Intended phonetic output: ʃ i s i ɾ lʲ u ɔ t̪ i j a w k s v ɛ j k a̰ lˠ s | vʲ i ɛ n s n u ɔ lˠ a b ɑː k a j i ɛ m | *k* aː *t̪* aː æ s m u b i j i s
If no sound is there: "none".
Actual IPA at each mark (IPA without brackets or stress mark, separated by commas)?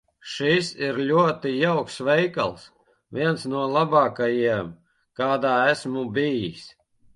k, d̪